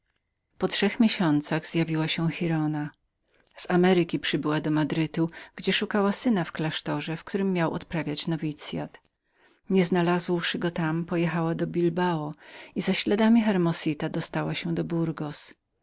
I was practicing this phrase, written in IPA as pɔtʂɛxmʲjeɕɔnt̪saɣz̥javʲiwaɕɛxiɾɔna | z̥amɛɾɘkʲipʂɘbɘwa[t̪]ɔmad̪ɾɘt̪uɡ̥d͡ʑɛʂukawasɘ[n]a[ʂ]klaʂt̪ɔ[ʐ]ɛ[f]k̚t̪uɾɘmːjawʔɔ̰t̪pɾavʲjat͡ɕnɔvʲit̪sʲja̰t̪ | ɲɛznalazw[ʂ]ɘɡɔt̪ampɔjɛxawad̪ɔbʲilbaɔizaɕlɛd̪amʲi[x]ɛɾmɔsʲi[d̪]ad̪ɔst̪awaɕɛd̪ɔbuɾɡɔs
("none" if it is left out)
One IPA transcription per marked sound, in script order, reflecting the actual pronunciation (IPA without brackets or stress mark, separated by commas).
d̪, n, f, ʐ, f, ʂ, x, t̪